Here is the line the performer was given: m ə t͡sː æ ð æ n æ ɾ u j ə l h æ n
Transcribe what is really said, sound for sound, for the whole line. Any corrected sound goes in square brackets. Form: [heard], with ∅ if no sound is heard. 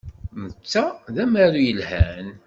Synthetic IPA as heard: m ə t͡sː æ ð æ [m] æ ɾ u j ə l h æ n